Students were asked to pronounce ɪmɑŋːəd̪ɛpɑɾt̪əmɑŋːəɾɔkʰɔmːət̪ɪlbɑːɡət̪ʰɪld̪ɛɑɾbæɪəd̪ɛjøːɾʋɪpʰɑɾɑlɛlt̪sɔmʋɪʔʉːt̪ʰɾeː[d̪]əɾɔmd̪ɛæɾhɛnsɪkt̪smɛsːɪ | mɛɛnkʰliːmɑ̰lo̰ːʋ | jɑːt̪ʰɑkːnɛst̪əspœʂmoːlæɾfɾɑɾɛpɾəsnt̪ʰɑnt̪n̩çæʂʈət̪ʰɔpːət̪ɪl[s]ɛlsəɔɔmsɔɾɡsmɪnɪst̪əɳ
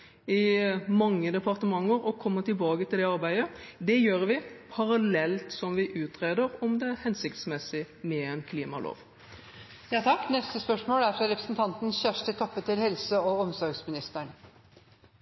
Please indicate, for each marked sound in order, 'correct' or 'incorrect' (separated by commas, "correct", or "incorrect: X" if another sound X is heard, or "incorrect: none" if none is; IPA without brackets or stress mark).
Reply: correct, incorrect: h